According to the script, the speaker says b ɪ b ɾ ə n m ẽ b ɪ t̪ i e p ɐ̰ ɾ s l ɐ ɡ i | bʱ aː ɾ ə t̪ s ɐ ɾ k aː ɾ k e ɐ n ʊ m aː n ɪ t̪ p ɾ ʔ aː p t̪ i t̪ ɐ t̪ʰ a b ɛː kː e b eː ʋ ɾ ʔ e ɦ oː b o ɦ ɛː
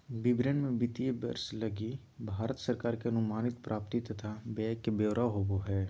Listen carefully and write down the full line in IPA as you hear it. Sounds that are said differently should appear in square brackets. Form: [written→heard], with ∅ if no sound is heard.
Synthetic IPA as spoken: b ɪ b ɾ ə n m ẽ b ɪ t̪ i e [p→b] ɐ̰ ɾ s l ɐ ɡ i | bʱ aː ɾ ə t̪ s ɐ ɾ k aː ɾ k e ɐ n ʊ m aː n ɪ t̪ p ɾ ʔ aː p t̪ i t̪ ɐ t̪ʰ a b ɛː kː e b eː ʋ ɾ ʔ [e→a] ɦ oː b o ɦ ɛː